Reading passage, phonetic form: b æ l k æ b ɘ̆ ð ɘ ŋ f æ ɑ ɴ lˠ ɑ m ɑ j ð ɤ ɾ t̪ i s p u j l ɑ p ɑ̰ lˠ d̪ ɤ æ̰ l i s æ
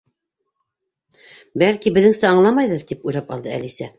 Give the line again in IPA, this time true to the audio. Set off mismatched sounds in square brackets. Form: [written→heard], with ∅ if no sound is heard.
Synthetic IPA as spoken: b æ l k [æ→i] b ɘ̆ ð ɘ ŋ [f→s] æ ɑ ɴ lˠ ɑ m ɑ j ð ɤ ɾ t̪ i [s→∅] p u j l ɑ p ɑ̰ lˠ d̪ ɤ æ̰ l i s æ

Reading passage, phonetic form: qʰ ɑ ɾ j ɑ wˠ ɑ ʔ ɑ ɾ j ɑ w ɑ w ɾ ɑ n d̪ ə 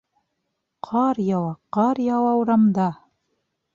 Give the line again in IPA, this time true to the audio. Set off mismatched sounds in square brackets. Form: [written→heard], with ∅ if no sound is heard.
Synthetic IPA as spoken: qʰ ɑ ɾ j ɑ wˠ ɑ [ʔ→q] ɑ ɾ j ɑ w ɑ w ɾ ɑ [n→m] d̪ [ə→ɑ]

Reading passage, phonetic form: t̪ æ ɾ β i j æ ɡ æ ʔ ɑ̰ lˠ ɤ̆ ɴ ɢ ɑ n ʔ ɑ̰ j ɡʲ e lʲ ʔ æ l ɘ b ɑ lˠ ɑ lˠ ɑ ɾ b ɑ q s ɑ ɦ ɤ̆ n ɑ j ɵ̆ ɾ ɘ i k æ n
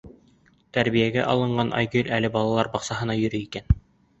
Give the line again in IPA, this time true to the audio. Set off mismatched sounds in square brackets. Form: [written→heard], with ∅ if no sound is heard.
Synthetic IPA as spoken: t̪ æ ɾ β i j æ ɡ æ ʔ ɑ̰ lˠ ɤ̆ ɴ ɢ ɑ n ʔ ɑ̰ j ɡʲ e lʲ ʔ æ l ɘ b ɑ lˠ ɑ lˠ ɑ ɾ b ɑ q s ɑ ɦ ɤ̆ n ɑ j ɵ̆ ɾ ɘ i k æ n

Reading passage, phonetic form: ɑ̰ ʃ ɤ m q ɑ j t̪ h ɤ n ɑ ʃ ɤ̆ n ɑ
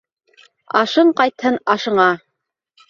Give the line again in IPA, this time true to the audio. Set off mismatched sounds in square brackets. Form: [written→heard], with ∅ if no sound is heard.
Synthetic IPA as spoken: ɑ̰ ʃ ɤ [m→ɴ] q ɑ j t̪ h ɤ n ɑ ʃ ɤ̆ [n→ɴ] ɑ

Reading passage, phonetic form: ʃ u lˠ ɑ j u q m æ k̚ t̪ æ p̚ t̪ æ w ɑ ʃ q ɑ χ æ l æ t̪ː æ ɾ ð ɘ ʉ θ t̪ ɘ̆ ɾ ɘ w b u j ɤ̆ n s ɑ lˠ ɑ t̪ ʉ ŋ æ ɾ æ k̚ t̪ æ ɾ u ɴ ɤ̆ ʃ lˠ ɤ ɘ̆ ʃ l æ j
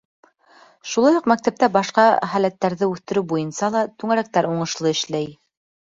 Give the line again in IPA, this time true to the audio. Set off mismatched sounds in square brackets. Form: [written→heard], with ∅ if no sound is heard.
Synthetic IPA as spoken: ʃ u lˠ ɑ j u q m æ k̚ t̪ æ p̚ t̪ æ [w→b] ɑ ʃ q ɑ χ æ l æ t̪ː æ ɾ ð ɘ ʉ θ t̪ ɘ̆ ɾ ɘ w b u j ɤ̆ n s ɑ lˠ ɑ t̪ ʉ ŋ æ ɾ æ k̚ t̪ æ ɾ u ɴ ɤ̆ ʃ lˠ ɤ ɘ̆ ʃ l æ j

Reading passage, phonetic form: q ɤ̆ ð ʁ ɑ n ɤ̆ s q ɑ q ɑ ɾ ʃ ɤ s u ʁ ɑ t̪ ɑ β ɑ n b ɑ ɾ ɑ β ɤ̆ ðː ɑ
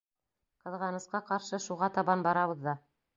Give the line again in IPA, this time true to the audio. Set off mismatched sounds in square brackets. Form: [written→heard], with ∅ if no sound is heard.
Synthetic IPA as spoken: q ɤ̆ ð ʁ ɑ n ɤ̆ s q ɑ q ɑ ɾ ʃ ɤ [s→ʃ] u ʁ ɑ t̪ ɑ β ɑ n b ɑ ɾ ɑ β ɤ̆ ðː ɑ

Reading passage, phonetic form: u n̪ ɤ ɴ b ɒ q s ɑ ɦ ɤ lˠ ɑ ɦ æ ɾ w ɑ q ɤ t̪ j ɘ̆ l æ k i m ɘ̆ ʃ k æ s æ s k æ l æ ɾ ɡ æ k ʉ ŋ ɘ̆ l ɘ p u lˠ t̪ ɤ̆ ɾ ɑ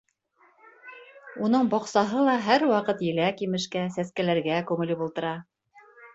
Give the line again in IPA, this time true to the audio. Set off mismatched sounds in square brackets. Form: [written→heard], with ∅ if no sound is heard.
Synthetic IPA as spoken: u n̪ ɤ ɴ b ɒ q s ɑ ɦ ɤ lˠ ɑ ɦ æ ɾ w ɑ q ɤ t̪ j ɘ̆ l æ k i m ɘ̆ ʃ k æ s æ s k æ l æ ɾ ɡ æ k ʉ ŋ ɘ̆ l ɘ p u lˠ t̪ ɤ̆ ɾ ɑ

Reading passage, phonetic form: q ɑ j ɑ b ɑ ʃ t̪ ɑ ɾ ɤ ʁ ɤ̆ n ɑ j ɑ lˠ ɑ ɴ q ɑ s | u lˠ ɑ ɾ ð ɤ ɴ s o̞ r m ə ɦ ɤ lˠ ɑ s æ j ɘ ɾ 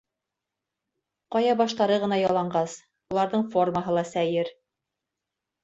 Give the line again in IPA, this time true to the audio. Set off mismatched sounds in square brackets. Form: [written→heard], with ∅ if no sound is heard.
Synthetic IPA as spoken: q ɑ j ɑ b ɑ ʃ t̪ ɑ ɾ ɤ ʁ ɤ̆ n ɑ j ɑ lˠ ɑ ɴ [q→ɢ] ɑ s | u lˠ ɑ ɾ ð ɤ ɴ [s→f] o̞ r m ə ɦ ɤ lˠ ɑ s æ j ɘ ɾ

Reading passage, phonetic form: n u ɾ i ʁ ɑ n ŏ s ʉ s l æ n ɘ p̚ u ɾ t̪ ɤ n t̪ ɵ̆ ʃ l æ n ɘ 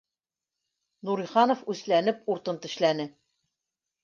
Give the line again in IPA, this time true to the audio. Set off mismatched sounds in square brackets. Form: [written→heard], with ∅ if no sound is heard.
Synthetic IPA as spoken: n u ɾ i [ʁ→χ] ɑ n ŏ [s→f] ʉ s l æ n ɘ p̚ u ɾ t̪ ɤ n t̪ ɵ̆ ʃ l æ n ɘ

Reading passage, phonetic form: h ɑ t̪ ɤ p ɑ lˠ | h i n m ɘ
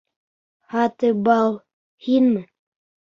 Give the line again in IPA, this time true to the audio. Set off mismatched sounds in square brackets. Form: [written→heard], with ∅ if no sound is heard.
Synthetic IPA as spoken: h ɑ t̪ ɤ [p→b] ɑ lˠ | h i n m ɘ

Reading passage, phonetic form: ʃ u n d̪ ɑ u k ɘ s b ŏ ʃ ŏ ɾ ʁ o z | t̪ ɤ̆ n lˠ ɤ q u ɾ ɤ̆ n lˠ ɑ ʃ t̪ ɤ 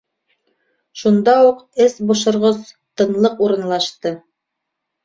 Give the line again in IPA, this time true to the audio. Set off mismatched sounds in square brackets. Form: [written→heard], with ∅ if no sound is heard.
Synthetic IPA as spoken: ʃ u n d̪ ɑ u [k→q] ɘ s b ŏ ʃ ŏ ɾ ʁ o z | t̪ ɤ̆ n lˠ ɤ q u ɾ ɤ̆ n lˠ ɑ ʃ t̪ ɤ

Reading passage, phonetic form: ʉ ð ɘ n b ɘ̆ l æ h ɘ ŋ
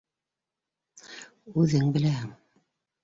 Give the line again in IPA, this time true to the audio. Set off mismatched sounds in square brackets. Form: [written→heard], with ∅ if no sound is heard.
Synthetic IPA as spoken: ʉ ð ɘ [n→ŋ] b ɘ̆ l æ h ɘ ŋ

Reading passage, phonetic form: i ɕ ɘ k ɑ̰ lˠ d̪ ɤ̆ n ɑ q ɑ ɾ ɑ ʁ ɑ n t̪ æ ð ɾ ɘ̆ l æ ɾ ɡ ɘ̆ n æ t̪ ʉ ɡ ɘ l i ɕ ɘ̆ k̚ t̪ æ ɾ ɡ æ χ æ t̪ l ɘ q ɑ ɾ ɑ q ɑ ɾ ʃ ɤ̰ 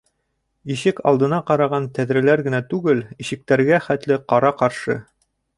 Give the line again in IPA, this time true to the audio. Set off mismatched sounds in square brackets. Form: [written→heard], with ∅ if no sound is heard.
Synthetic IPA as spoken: i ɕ ɘ k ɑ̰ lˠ d̪ ɤ̆ n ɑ q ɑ ɾ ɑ ʁ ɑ n t̪ æ ð ɾ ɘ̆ l æ ɾ ɡ ɘ̆ n æ t̪ ʉ ɡ ɘ l i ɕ ɘ̆ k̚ t̪ æ ɾ ɡ æ χ æ t̪ l ɘ q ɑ ɾ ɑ q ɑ ɾ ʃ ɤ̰

